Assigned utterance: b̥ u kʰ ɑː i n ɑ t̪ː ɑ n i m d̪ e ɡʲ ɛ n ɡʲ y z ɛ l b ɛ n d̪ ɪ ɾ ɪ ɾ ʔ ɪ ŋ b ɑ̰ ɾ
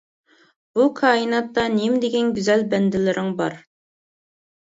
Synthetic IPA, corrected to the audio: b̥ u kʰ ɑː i n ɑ t̪ː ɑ n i m d̪ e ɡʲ ɛ n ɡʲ y z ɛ l b ɛ n d̪ ɪ l ɪ ɾ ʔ ɪ ŋ b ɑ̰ ɾ